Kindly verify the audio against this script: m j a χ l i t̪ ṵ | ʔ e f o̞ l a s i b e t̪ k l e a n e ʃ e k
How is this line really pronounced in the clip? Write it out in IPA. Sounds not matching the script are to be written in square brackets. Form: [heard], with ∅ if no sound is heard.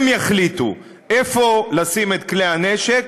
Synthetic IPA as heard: m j a χ l i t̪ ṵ | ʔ e f o̞ l a s i [m] e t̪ k l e a n e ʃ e k

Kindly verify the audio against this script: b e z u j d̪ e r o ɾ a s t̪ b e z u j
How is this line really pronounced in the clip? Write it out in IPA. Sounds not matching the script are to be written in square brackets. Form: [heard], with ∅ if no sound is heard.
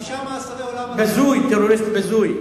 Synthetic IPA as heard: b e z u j [t̪] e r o ɾ [i] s t̪ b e z u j

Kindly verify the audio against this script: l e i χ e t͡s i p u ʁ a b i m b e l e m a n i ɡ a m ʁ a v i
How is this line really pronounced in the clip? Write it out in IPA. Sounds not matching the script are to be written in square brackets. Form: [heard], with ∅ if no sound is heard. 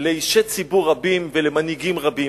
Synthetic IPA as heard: l e i [ʃ] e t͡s i [b] u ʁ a b i m [v] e l e m a n i ɡ [i] m ʁ a [b] i

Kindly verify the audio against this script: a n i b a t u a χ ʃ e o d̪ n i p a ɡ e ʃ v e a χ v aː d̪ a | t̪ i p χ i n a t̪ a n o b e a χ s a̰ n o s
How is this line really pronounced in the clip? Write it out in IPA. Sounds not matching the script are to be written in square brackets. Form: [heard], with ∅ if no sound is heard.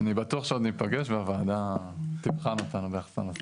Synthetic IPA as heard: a n i b a t u a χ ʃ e o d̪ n i p a ɡ e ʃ v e a [∅] v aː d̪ a | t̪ i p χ [a] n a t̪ a n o b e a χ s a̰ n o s

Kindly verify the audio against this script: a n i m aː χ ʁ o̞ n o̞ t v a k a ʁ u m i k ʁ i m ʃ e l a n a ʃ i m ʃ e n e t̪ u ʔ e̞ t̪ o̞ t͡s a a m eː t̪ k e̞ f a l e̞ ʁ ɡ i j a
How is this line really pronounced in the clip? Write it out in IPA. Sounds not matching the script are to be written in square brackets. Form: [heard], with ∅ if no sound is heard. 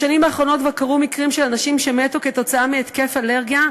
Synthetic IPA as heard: a n i m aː χ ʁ o̞ n o̞ t v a k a ʁ u m i k ʁ i m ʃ e l a n a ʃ i m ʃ e [m] e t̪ u [k] e̞ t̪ o̞ t͡s a a m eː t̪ k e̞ f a l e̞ ʁ ɡ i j a

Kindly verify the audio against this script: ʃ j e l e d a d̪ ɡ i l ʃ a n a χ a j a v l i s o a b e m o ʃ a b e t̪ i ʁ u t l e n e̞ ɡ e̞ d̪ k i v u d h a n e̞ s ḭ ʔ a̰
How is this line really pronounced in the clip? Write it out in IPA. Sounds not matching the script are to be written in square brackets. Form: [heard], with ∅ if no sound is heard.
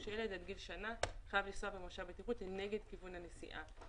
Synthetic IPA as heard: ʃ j e l e d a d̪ ɡ i l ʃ a n a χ a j a v l i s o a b e m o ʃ a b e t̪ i ʁ u t l e n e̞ ɡ e̞ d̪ k i v u [n] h a n e̞ s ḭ ʔ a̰

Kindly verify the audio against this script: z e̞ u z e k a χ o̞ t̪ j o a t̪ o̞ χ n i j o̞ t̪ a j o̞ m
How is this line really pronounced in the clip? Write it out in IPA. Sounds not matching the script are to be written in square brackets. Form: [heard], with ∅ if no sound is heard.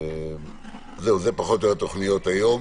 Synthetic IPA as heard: z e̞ u z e [p] a χ o̞ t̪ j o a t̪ o̞ χ n i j o̞ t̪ a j o̞ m

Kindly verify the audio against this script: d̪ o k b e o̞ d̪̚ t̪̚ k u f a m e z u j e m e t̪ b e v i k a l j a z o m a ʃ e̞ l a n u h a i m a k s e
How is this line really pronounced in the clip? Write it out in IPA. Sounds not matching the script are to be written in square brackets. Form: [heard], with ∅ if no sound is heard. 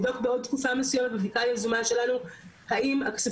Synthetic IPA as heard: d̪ o k b e o̞ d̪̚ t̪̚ k u f a m e [s] u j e m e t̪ b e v i k a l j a z [u] m a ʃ e̞ l a n u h a i m a k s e

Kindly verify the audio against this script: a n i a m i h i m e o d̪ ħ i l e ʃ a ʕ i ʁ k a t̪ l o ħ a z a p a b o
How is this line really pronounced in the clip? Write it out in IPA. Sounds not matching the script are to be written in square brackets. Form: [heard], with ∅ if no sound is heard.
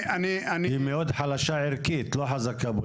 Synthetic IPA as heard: a n i a [n] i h i m e o d̪ ħ [a] l [a] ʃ a ʕ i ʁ k [i] t̪ l o ħ a z a [k] a b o

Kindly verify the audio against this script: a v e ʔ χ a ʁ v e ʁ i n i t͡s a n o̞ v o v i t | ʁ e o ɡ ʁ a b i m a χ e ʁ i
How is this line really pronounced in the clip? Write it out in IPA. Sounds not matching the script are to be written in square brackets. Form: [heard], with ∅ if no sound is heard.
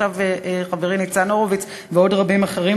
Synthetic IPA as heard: a v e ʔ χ a [∅] v e ʁ i n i t͡s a n o̞ [ʁ] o v i [t͡s] | [v] e o [d] ʁ a b i m a χ e ʁ i

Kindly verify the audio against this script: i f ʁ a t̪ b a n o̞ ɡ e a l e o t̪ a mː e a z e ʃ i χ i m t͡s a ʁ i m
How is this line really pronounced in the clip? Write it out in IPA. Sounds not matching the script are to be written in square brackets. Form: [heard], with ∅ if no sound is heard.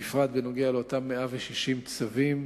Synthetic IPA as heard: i f ʁ a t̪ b [e] n o̞ ɡ e a l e o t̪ a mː e a [v] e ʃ i [ʃ] i m t͡s a [v] i m

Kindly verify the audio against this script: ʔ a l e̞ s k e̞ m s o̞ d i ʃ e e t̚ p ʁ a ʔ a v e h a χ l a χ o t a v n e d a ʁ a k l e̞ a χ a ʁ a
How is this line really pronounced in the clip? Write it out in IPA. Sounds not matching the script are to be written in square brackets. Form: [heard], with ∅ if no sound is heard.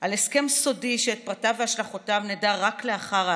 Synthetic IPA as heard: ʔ a l e̞ s k e̞ m s o̞ d i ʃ e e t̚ p ʁ a [t] a v e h a [ʃ] l a χ o t a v n e d a ʁ a k l e̞ a χ a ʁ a

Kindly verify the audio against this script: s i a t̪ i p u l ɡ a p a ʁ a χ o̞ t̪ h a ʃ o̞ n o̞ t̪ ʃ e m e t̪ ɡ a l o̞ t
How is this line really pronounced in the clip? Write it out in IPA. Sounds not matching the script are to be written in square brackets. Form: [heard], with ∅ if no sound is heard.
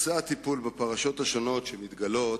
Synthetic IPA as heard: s [a] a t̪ i p u l [b] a p a ʁ a [ʃ] o̞ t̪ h a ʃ o̞ n o̞ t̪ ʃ e m [i] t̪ ɡ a l o̞ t

